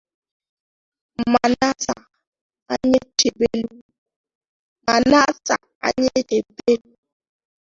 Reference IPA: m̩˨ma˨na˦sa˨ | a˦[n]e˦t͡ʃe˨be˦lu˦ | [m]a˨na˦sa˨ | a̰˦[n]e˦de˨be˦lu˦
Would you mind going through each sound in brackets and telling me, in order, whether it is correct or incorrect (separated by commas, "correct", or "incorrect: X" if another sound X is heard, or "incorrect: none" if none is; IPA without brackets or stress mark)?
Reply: incorrect: ɲ, correct, incorrect: ɲ